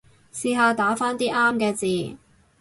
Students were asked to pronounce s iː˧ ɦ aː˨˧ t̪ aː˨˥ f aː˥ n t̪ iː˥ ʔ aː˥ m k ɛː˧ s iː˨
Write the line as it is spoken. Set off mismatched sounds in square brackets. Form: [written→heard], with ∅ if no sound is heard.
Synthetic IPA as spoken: s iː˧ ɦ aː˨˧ t̪ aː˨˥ f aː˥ n t̪ iː˥ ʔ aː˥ m k ɛː˧ [s→t͡s] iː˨